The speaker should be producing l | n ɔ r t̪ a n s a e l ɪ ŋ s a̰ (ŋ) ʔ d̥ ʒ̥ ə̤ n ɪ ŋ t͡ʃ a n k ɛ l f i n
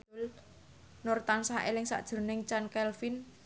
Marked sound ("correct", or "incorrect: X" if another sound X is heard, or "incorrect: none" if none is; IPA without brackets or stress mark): incorrect: none